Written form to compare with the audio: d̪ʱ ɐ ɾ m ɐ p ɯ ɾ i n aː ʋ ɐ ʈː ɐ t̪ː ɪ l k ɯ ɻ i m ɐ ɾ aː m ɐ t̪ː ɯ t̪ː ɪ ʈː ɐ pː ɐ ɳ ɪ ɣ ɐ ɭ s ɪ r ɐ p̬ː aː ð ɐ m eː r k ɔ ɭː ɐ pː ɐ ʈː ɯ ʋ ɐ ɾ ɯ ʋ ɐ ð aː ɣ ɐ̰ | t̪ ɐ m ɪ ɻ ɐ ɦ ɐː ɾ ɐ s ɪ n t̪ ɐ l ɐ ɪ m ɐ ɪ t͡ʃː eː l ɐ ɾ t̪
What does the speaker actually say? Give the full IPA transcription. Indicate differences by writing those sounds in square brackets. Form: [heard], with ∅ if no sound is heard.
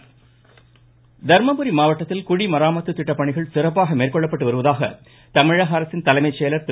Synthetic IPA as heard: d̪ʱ ɐ ɾ m ɐ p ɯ ɾ i [m] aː ʋ ɐ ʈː ɐ t̪ː ɪ l k [ʊ] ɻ i m ɐ ɾ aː m ɐ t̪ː ɯ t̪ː ɪ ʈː ɐ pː ɐ ɳ ɪ ɣ ɐ ɭ s ɪ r ɐ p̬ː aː [ɣ] ɐ m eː r k ɔ ɭː ɐ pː ɐ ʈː ɯ ʋ ɐ ɾ ɯ ʋ ɐ ð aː ɣ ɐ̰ | t̪ ɐ m ɪ ɻ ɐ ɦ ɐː ɾ ɐ s ɪ n t̪ ɐ l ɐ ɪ m ɐ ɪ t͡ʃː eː l ɐ ɾ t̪